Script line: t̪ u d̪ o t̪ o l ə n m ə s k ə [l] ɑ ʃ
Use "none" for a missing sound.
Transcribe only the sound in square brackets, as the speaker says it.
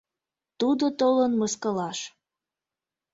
l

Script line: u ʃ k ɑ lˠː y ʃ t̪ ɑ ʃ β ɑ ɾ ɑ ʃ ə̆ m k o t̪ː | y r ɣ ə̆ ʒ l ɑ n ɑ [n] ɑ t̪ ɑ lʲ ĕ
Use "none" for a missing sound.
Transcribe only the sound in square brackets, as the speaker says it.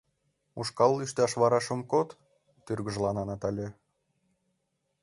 n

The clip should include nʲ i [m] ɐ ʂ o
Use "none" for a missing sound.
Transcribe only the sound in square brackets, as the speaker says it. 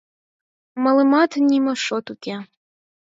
m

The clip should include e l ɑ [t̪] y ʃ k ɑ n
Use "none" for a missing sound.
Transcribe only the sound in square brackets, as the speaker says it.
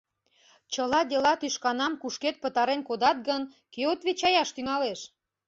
t̪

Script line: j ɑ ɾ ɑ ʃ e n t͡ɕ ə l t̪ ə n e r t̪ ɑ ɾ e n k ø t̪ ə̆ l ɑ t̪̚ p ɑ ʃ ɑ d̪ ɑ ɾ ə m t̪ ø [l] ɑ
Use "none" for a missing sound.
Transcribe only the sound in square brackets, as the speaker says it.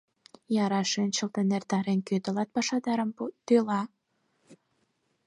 l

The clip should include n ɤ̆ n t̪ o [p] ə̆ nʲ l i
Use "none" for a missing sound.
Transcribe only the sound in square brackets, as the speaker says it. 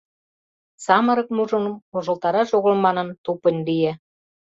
p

